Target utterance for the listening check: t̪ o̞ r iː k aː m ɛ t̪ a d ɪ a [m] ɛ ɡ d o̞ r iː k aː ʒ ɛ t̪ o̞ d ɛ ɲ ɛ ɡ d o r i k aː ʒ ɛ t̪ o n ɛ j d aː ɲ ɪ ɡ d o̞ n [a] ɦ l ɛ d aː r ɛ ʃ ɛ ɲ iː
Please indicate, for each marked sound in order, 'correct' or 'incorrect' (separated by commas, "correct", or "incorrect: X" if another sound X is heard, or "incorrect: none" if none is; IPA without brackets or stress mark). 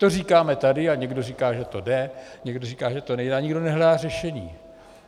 incorrect: ɲ, incorrect: ɛ